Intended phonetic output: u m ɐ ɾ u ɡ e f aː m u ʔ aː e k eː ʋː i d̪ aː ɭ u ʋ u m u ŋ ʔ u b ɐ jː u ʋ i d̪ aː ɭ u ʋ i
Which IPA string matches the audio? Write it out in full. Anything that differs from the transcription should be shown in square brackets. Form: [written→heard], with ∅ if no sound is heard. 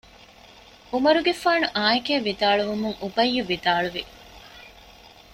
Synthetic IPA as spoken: u m ɐ ɾ u ɡ e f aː [m→n] u ʔ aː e k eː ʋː i d̪ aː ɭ u ʋ u m u ŋ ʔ u b ɐ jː u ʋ i d̪ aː ɭ u ʋ i